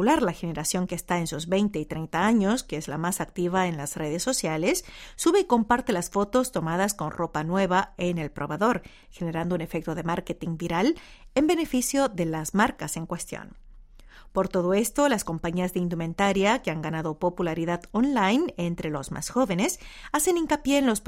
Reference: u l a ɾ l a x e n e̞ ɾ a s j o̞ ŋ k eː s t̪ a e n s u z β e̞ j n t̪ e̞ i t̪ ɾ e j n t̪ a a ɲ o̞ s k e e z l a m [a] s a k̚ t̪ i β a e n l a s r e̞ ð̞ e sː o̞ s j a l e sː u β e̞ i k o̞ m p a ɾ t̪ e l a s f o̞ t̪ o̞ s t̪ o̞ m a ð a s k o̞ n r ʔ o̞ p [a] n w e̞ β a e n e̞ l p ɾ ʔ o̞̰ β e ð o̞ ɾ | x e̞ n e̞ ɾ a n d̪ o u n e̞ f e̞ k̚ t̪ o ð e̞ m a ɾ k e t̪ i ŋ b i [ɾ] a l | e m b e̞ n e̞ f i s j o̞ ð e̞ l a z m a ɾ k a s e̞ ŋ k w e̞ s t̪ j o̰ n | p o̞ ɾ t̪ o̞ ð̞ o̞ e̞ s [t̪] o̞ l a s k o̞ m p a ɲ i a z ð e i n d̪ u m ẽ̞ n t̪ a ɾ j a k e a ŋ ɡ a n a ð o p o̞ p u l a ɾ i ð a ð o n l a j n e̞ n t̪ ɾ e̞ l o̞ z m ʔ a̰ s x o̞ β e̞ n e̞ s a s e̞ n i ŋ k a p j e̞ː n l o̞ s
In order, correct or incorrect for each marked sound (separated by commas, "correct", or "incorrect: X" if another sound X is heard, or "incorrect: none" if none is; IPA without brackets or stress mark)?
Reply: correct, correct, correct, correct